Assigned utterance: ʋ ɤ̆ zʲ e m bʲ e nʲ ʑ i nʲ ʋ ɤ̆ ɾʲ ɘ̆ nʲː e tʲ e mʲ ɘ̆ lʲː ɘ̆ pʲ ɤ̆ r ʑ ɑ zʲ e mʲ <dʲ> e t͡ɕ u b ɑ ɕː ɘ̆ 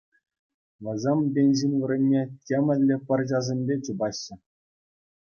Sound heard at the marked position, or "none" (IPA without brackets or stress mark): bʲ